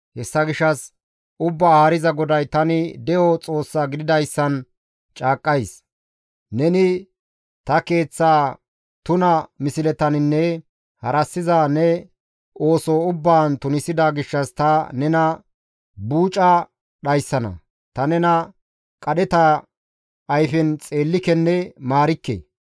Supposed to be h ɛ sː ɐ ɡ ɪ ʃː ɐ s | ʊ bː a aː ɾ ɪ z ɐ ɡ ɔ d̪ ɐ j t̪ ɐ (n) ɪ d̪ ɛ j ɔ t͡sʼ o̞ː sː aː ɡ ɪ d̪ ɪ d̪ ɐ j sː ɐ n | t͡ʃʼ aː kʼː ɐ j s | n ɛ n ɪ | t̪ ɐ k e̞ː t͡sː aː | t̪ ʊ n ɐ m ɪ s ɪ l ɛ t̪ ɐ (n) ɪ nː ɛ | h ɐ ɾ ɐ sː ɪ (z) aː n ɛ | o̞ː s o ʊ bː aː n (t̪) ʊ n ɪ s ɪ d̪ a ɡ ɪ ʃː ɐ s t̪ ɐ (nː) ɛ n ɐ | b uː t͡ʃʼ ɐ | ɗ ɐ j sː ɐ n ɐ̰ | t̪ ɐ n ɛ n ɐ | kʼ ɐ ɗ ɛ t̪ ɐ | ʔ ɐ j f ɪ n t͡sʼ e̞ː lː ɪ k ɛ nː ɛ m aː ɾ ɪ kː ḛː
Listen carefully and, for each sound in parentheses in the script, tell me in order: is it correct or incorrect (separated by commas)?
correct, correct, correct, correct, incorrect